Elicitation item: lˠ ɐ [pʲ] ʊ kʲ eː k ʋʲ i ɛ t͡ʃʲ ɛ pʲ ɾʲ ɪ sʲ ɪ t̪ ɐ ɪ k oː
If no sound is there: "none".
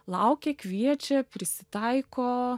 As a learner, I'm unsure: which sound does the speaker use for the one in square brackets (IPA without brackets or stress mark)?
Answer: none